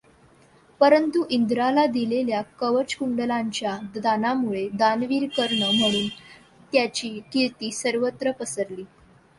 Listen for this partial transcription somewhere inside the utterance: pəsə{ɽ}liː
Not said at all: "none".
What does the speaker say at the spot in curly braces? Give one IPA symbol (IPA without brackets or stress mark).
ɾ